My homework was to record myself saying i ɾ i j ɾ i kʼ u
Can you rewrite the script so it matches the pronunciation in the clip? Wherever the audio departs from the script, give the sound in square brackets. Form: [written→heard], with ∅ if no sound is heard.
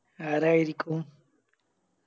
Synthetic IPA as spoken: [i→a] ɾ [i→a] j ɾ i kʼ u